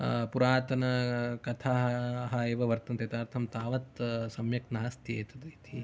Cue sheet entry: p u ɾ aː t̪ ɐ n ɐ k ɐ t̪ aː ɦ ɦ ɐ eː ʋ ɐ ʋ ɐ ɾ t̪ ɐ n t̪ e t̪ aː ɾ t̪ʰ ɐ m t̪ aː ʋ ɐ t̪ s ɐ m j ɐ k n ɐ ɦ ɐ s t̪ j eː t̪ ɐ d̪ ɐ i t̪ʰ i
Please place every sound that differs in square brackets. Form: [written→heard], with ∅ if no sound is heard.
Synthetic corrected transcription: p u ɾ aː t̪ ɐ n ɐ k ɐ [t̪→t̪ʰ] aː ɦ ɦ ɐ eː ʋ ɐ ʋ ɐ ɾ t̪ ɐ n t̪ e t̪ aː ɾ t̪ʰ ɐ m t̪ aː ʋ ɐ t̪ s ɐ m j ɐ k n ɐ ɦ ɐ s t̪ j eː t̪ ɐ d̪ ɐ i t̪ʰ i